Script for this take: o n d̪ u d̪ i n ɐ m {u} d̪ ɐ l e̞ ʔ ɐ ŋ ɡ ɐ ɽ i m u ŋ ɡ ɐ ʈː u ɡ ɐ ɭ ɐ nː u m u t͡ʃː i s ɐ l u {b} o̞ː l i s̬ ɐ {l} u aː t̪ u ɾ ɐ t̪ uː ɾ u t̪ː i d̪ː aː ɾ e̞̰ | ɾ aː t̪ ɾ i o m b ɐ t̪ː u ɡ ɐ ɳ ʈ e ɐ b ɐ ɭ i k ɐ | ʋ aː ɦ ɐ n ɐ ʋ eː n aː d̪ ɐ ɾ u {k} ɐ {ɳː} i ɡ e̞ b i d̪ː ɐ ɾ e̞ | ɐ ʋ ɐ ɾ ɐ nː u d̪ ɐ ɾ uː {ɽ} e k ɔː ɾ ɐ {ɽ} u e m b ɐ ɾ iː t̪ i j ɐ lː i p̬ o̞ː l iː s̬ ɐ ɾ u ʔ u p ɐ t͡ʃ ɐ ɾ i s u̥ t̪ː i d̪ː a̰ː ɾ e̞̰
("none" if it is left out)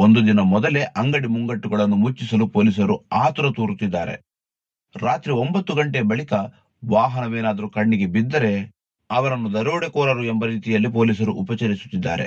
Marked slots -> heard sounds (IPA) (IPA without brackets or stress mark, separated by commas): ɔ, p, ɾ, k, ɳː, ɽ, ɾ